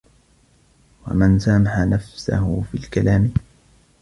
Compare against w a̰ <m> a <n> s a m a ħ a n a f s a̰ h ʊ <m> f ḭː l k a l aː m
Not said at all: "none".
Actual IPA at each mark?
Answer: m, n, none

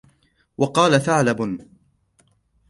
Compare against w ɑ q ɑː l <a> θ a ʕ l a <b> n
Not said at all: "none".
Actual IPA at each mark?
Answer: a, b

